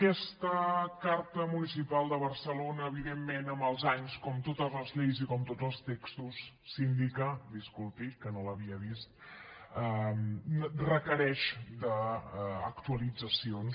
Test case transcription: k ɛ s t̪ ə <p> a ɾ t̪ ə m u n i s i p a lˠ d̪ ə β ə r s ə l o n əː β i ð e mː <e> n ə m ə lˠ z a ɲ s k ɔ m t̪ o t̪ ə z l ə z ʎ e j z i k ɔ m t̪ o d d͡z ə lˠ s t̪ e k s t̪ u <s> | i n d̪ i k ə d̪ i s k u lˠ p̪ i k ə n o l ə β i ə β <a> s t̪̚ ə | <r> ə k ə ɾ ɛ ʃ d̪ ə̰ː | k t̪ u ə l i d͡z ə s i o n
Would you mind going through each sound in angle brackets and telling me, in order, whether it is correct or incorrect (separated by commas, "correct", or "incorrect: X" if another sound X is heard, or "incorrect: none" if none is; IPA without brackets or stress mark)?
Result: incorrect: k, correct, incorrect: sː, incorrect: i, correct